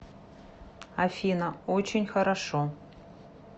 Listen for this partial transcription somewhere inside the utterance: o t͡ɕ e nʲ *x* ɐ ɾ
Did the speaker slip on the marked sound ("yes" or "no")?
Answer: no